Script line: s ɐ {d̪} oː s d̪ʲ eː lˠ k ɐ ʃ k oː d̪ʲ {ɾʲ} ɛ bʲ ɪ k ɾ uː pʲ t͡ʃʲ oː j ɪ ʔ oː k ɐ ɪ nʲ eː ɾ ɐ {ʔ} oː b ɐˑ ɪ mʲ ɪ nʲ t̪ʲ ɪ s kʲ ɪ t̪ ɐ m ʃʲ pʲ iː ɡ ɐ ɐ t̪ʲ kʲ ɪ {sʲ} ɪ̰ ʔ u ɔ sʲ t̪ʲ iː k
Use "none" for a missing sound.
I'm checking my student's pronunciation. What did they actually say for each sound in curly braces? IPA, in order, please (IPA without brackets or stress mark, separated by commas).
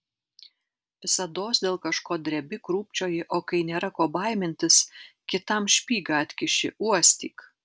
d̪, ɾʲ, k, ʃʲ